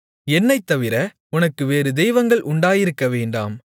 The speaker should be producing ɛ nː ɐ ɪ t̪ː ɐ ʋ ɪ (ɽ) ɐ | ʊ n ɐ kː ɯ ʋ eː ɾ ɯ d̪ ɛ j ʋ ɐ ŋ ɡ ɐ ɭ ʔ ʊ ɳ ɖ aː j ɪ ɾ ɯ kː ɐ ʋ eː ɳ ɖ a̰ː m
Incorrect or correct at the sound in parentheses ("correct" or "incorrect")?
incorrect